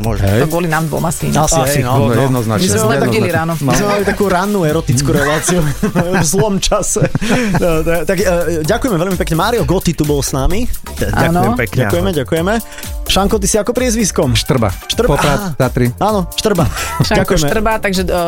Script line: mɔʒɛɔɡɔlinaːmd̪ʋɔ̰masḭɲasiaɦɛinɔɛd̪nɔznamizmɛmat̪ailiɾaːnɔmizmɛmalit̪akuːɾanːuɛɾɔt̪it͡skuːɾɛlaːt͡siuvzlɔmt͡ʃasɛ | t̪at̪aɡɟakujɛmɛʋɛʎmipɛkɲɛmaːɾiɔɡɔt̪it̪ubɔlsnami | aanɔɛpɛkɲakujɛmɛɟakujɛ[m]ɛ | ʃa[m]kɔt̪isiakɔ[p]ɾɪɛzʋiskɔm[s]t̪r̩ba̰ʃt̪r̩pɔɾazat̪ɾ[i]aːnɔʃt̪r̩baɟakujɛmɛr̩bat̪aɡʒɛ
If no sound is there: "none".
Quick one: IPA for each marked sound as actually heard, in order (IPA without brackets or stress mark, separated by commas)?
m, ŋ, p, ʃ, i